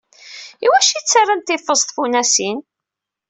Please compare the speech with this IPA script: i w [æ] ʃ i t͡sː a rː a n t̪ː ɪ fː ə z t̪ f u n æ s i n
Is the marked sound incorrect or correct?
correct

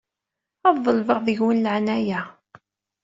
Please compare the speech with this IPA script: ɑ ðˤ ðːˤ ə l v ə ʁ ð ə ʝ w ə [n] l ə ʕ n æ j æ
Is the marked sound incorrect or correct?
correct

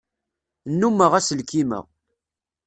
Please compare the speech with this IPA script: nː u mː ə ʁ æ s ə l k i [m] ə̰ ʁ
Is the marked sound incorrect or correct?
correct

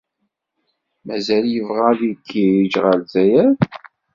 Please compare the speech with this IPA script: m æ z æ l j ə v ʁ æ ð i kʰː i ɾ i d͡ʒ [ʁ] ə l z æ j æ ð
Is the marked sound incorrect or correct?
correct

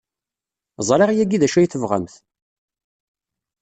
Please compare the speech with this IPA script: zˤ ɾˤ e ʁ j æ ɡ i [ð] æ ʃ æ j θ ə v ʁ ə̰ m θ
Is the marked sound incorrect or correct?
correct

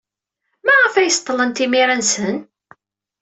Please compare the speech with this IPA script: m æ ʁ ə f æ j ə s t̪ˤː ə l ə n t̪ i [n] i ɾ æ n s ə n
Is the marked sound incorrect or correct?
incorrect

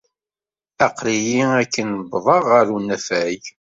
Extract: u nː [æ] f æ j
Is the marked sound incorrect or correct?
correct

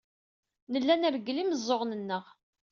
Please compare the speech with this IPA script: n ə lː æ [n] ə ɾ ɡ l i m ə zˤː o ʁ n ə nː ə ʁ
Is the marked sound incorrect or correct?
correct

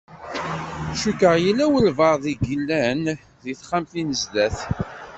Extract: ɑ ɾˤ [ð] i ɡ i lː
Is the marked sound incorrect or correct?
correct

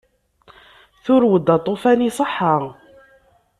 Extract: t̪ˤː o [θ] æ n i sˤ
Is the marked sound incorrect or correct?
incorrect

